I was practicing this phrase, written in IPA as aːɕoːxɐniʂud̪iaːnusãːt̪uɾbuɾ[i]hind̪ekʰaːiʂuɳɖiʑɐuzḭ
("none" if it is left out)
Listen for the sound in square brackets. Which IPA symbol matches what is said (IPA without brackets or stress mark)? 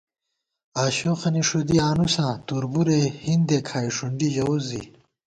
e